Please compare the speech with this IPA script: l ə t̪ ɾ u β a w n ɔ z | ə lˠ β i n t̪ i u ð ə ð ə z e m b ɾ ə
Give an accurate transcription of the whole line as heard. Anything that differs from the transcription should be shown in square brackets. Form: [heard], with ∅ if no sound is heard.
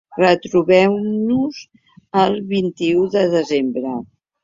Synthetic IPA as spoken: [r] ə t̪ ɾ u β [ɛ] w n [u] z | ə lˠ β i n t̪ i u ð ə ð ə z e m b ɾ ə